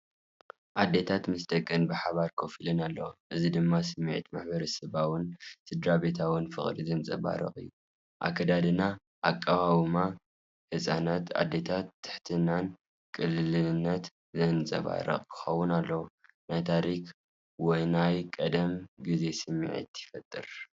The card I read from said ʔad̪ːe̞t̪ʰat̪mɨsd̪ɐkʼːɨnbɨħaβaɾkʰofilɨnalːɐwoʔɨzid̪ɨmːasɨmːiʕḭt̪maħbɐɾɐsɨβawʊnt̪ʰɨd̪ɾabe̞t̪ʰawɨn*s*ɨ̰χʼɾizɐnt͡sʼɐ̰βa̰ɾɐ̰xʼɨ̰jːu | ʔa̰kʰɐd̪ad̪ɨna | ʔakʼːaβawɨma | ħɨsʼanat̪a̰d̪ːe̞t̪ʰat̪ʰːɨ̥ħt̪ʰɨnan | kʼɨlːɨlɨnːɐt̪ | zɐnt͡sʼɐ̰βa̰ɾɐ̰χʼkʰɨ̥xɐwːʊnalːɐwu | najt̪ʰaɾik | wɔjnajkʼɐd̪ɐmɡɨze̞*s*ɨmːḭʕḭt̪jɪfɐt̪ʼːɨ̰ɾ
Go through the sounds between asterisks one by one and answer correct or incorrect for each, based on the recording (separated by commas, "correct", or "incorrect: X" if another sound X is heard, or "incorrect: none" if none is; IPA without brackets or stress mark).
incorrect: f, correct